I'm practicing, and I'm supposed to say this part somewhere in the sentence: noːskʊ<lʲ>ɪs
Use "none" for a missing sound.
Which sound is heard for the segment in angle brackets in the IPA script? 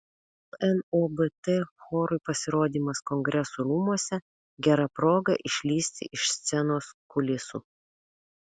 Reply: lʲ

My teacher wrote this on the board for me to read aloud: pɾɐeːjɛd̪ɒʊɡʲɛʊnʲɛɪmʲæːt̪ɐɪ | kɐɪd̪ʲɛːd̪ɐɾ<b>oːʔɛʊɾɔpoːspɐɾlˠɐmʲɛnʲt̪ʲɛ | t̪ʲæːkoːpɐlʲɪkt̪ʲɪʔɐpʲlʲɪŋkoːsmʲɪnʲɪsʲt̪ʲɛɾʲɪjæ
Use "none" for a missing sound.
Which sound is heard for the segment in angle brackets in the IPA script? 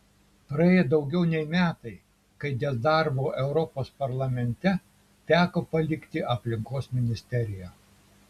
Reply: b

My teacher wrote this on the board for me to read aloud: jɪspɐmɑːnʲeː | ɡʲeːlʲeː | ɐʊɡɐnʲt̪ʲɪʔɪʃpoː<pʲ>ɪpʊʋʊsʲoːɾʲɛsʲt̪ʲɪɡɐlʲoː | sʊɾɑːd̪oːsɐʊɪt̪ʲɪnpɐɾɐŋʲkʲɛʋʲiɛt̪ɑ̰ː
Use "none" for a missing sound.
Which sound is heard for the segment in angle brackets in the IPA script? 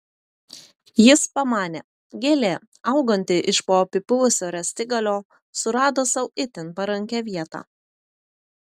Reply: pʲ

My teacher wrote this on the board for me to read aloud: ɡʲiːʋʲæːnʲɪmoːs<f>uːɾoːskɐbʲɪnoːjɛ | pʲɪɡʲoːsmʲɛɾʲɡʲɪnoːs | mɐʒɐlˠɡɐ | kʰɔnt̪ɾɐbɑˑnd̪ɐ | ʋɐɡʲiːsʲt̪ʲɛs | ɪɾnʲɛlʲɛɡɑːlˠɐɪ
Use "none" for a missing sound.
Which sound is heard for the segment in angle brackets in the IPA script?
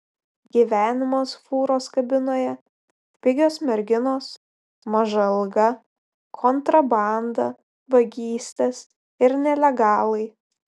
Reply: f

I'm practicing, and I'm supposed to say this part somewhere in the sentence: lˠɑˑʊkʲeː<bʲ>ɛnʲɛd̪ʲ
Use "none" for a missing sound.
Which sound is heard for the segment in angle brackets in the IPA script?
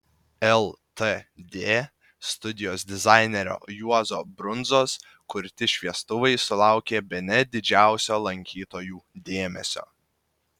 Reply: bʲ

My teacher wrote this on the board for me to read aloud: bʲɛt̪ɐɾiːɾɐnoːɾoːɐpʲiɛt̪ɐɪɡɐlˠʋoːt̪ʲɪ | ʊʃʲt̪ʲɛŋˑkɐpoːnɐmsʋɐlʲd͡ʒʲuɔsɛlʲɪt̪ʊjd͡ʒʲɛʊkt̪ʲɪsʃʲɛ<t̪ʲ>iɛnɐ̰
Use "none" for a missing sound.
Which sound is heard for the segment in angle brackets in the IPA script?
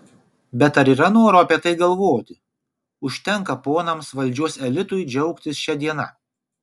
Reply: d̪ʲ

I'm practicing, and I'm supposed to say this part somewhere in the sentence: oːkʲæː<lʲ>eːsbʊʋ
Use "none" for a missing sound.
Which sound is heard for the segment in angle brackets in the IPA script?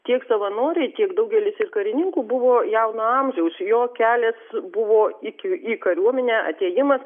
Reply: lʲ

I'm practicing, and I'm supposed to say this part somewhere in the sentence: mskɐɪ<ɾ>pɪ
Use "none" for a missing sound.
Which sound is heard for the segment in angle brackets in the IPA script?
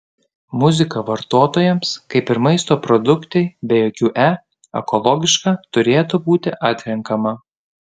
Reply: none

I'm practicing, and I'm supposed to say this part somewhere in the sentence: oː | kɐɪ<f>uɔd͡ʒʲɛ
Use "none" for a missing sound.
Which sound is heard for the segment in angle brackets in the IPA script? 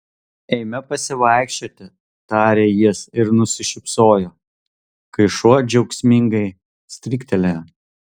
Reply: ʃ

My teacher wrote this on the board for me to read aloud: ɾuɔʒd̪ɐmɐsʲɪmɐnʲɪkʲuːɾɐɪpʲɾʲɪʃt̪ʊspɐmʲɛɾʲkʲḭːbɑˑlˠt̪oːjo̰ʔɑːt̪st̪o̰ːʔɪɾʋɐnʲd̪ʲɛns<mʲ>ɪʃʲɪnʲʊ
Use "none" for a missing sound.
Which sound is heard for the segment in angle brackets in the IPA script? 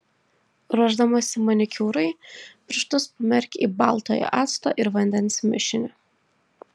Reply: mʲ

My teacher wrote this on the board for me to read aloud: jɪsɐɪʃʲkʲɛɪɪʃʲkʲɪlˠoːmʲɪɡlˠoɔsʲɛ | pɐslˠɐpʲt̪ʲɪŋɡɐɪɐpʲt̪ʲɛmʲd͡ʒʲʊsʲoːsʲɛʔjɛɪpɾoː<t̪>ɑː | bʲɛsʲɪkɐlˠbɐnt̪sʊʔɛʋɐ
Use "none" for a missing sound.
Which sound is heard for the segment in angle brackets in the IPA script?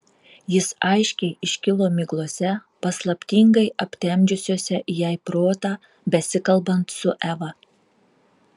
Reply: t̪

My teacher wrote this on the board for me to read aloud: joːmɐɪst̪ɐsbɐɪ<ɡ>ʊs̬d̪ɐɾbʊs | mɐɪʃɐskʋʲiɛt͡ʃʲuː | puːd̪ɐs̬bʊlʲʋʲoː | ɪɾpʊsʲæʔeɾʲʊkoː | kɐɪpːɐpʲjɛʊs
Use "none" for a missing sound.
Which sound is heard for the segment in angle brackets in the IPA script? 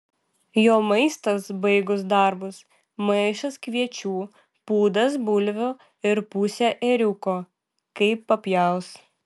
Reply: ɡ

